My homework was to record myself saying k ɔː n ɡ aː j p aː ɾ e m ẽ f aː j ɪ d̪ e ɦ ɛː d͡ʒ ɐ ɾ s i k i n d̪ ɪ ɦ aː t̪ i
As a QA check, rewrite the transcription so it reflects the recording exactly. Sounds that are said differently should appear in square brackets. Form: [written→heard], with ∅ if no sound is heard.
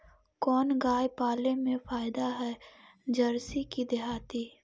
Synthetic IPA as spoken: k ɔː n ɡ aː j p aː [ɾ→l] e m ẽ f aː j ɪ d̪ [e→a] ɦ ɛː d͡ʒ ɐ ɾ s i k i [n→∅] d̪ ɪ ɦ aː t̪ i

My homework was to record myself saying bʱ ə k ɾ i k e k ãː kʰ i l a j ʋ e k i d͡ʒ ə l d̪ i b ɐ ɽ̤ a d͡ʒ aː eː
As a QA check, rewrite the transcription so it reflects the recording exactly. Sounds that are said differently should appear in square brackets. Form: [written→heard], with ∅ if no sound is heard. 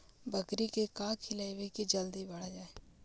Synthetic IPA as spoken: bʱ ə k ɾ i k e k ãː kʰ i l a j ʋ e k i d͡ʒ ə l d̪ i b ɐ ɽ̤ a d͡ʒ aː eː

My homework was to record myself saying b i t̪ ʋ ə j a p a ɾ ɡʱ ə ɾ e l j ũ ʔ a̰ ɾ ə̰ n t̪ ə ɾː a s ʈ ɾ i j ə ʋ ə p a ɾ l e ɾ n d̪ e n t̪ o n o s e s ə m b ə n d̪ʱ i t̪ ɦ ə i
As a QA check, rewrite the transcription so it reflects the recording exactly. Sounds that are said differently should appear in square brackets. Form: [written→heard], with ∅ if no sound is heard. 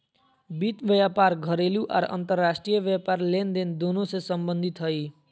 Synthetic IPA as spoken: b i t̪ ʋ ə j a p a ɾ ɡʱ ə ɾ e l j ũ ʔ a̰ ɾ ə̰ n t̪ ə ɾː a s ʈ ɾ i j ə ʋ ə p a ɾ l e [ɾ→∅] n d̪ e n [t̪→d̪] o n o s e s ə m b ə n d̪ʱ i t̪ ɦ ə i

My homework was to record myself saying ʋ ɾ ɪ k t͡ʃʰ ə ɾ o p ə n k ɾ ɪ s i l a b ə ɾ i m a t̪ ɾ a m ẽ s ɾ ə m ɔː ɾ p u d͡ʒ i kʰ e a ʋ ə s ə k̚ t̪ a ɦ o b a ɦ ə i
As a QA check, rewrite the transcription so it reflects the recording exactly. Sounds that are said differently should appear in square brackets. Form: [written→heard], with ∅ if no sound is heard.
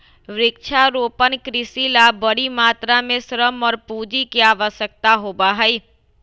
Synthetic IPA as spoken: ʋ ɾ ɪ k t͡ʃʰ [ə→a] ɾ o p ə n k ɾ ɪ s i l a b ə [ɾ→ɽ] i m a t̪ ɾ a m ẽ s ɾ ə m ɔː ɾ p u d͡ʒ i [kʰ→k] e a ʋ ə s ə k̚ t̪ a ɦ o b a ɦ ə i

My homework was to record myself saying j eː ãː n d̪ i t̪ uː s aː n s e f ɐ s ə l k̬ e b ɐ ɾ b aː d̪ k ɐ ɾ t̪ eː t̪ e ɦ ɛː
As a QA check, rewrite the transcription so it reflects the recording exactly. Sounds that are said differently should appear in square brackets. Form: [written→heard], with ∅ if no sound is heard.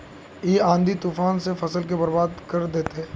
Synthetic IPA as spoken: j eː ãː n d̪ i t̪ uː [s→f] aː n s e f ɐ s ə l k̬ e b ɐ ɾ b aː d̪ k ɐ ɾ [t̪→d̪] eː t̪ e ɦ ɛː

